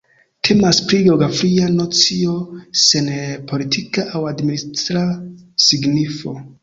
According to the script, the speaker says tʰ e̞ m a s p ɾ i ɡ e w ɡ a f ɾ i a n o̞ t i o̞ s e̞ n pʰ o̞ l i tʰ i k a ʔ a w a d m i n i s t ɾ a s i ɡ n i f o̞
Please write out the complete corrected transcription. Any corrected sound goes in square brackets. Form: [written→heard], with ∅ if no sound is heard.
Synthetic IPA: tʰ e̞ m a s p ɾ i ɡ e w ɡ a f ɾ i a n o̞ [t→t͡s] i o̞ s e̞ n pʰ o̞ l i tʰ i k a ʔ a w a d m i n i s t ɾ a s i ɡ n i f o̞